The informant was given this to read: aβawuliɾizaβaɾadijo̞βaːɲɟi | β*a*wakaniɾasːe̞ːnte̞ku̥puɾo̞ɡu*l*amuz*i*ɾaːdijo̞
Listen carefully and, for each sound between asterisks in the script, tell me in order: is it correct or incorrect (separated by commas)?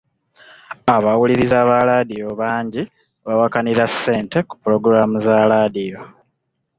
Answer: correct, incorrect, incorrect